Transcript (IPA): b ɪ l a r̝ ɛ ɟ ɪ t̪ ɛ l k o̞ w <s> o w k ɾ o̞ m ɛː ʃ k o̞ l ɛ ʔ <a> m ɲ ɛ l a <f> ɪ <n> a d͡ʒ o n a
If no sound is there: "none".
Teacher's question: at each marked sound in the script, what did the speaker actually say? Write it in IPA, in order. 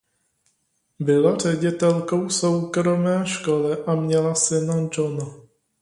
s, a, s, n

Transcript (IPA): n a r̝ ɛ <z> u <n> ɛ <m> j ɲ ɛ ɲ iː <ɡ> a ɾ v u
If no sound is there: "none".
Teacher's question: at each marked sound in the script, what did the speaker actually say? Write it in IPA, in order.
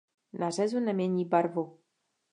z, n, m, b

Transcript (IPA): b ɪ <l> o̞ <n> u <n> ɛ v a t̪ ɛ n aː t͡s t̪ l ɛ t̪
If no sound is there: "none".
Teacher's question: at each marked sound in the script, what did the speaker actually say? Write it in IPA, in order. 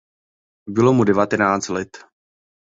l, m, d

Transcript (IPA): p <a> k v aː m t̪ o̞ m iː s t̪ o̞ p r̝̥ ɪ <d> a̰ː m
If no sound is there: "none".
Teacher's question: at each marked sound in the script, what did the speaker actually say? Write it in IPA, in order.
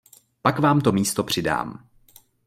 a, d

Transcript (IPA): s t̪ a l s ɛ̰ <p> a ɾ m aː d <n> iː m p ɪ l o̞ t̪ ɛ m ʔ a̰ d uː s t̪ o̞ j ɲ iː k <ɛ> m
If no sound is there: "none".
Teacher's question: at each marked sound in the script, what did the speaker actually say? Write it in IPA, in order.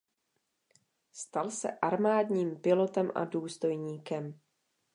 ʔ, ɲ, ɛ

